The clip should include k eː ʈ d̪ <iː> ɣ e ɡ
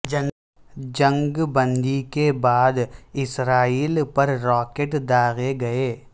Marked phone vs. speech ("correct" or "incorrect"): incorrect